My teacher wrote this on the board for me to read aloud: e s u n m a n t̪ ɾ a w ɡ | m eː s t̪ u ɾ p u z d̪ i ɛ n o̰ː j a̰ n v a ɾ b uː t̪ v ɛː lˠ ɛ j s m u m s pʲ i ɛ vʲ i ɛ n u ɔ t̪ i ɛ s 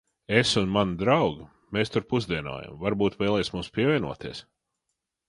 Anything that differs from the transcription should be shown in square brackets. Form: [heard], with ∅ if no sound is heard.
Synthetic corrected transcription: e s u n m a n [d̪] ɾ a w ɡ | m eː s t̪ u ɾ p u z d̪ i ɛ n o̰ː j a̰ [m] v a ɾ b uː t̪ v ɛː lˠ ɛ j s m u m s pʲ i ɛ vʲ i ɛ n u ɔ t̪ i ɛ s